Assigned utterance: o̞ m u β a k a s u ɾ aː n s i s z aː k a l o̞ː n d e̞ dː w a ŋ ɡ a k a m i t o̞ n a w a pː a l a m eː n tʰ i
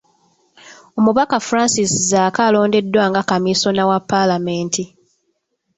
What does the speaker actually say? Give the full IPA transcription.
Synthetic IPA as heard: o̞ m u β a k a f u ɾ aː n s i s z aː k a l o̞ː n d e̞ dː w a ŋ ɡ a k a m i s o̞ n a w a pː a l a m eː n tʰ i